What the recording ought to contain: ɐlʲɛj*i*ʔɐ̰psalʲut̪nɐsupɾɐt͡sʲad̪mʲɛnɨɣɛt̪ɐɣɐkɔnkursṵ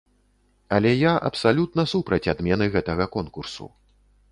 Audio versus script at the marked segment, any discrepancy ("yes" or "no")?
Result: yes